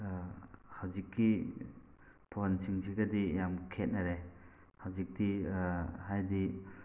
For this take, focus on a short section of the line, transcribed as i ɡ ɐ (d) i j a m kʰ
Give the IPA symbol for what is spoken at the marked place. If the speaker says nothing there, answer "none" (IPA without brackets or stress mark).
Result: d